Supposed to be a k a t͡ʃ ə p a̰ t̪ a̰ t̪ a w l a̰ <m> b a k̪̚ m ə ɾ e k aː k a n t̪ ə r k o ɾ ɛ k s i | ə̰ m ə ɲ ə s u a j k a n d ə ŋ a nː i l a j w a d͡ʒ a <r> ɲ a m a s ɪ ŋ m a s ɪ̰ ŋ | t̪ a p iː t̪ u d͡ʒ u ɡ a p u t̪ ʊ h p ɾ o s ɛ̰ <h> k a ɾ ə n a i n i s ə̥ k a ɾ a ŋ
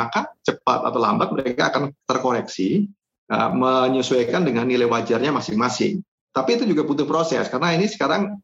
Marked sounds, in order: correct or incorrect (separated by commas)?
correct, correct, incorrect